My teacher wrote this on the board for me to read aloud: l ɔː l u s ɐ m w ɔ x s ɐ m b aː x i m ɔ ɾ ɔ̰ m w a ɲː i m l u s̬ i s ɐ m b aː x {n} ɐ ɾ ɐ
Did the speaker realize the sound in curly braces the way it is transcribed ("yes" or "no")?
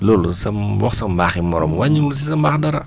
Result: no